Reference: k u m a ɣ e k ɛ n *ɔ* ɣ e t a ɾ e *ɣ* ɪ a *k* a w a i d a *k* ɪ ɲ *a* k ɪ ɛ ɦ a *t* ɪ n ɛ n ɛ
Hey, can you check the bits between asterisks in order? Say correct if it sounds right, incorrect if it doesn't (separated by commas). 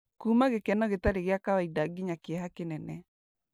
correct, correct, correct, incorrect, correct, incorrect